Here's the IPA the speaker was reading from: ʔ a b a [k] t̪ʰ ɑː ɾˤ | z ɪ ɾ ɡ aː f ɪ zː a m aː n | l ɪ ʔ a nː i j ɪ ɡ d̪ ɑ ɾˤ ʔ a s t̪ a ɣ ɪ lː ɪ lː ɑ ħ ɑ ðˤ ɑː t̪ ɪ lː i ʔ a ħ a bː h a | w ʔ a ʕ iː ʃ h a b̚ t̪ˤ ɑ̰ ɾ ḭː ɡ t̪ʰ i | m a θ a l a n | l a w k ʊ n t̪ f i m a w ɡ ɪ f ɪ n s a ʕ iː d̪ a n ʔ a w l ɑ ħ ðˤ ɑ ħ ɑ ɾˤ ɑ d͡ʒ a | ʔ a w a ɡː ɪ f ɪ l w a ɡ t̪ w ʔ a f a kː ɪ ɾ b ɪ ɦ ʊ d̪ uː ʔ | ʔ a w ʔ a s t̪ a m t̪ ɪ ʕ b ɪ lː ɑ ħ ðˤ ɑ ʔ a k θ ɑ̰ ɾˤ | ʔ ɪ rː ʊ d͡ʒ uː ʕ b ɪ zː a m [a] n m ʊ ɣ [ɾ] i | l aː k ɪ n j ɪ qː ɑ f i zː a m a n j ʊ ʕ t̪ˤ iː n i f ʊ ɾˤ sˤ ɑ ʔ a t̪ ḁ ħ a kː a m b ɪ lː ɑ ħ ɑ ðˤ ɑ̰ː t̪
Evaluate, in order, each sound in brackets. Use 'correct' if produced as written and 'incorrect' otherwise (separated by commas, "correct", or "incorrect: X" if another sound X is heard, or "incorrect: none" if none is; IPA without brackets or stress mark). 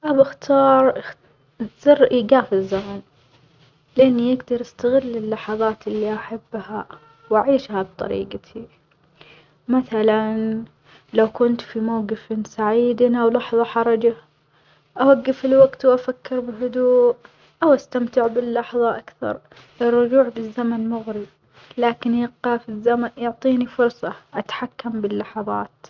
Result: incorrect: x, correct, correct